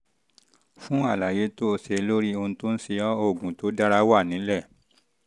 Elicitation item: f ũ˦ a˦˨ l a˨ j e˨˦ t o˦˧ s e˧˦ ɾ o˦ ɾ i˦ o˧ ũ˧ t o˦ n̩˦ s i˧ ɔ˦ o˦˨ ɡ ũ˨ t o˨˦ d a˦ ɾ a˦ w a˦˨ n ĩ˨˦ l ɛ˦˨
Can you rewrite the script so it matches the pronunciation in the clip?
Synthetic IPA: f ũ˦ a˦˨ l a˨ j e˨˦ t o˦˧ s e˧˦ l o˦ ɾ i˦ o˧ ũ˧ t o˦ n̩˦ s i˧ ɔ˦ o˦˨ ɡ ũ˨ t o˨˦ d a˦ ɾ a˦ w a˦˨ n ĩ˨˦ l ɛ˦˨